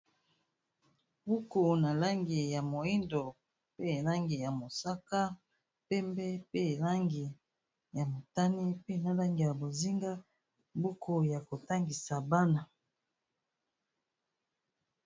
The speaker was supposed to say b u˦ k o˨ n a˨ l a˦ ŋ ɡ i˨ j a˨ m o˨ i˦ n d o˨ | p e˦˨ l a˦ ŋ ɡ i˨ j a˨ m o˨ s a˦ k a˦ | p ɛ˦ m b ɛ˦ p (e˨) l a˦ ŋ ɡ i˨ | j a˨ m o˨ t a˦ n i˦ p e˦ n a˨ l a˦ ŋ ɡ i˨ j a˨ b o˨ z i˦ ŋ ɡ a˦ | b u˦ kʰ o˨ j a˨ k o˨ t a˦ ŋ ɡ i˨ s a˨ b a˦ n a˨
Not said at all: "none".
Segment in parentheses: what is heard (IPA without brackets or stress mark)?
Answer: e˦˨